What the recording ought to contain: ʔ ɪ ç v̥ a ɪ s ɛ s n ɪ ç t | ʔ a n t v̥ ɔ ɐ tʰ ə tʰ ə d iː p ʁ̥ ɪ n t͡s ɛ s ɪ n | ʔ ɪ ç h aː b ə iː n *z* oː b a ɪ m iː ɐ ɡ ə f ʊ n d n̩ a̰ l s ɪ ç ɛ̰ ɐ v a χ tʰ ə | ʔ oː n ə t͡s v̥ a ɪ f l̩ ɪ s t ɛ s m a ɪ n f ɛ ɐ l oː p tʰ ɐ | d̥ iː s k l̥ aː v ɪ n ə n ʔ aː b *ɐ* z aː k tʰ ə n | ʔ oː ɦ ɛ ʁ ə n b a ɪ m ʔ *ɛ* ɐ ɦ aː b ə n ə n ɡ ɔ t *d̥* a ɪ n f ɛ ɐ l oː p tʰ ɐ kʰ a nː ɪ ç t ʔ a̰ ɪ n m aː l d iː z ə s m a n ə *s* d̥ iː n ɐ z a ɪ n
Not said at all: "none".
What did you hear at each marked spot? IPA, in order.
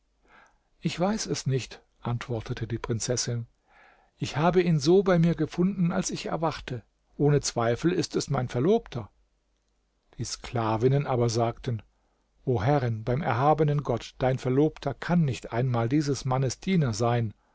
z, ɐ, ɛ, d̥, s

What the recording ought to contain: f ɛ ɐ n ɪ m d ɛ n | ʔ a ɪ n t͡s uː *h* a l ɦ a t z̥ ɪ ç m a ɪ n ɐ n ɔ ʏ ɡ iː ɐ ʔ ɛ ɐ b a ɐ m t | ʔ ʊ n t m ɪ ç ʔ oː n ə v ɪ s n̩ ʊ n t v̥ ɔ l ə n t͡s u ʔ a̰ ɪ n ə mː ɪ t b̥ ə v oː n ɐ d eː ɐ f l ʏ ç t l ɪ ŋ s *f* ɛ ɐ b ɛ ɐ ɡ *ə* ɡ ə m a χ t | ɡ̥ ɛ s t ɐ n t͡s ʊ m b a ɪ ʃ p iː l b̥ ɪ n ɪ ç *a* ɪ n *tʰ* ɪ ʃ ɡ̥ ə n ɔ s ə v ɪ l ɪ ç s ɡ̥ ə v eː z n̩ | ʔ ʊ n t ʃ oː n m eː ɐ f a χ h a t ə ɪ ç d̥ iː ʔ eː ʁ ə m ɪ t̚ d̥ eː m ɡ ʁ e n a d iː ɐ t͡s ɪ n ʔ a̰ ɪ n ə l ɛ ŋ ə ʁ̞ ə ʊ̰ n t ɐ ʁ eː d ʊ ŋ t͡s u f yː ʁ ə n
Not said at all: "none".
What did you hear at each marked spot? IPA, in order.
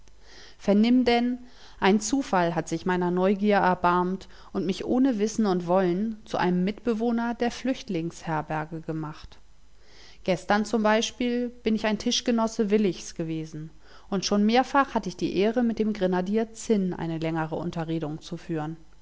f, h, ə, a, tʰ

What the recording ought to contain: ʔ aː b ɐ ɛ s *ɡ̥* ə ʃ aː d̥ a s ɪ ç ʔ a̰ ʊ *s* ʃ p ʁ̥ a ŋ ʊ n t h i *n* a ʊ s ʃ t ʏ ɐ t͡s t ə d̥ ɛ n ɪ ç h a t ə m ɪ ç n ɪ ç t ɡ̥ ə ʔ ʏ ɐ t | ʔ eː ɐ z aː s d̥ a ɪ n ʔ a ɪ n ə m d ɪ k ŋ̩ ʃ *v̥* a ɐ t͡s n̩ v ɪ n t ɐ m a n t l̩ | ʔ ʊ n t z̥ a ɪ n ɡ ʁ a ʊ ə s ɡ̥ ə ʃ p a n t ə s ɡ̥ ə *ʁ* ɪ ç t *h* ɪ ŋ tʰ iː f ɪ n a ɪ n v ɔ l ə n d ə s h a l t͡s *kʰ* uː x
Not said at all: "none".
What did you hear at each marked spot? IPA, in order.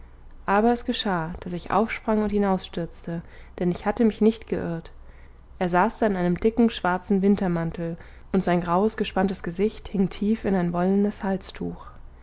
ɡ̥, f, n, v̥, z, h, tʰ

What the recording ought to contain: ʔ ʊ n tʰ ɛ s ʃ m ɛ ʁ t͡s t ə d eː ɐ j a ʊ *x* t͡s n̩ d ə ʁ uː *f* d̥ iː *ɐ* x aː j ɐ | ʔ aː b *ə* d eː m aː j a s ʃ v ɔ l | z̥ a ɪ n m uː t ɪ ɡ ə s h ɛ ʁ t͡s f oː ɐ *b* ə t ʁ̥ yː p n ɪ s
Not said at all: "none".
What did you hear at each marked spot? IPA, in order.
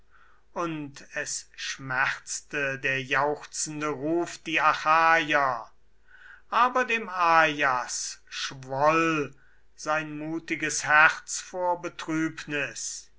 x, f, a, ɐ, b

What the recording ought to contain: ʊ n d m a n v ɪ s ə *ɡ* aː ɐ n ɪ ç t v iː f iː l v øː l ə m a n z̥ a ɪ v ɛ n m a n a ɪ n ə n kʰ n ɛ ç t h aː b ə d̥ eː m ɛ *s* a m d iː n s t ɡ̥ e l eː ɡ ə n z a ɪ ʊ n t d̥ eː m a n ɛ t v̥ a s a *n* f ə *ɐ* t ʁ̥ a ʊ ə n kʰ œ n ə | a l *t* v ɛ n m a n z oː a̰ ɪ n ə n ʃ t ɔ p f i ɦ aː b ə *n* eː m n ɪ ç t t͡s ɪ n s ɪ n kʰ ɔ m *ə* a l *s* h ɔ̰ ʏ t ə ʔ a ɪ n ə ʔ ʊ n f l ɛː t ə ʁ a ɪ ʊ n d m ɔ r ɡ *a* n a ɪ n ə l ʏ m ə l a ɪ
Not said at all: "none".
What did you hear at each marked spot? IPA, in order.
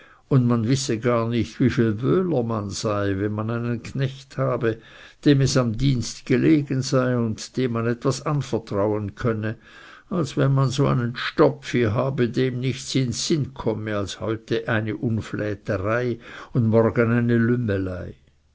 ɡ, s, n, ɐ, s, d, ə, s, ə

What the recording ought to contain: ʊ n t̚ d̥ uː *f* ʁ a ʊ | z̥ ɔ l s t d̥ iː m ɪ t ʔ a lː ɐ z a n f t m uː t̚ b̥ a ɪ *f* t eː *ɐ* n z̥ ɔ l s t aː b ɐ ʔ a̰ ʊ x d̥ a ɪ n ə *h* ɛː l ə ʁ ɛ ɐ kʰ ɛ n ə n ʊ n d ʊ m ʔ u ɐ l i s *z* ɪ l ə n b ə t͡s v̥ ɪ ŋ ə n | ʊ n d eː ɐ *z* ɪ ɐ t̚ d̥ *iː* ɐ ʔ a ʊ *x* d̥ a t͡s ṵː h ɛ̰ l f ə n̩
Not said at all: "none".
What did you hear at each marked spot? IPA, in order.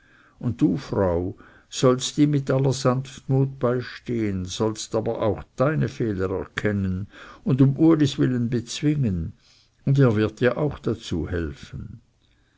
f, ʃ, ə, f, v, v, iː, x

